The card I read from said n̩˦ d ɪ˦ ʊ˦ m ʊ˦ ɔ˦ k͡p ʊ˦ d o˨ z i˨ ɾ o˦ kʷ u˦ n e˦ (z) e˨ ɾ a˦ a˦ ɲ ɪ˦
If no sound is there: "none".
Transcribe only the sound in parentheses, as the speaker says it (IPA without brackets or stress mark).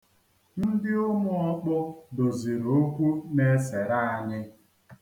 s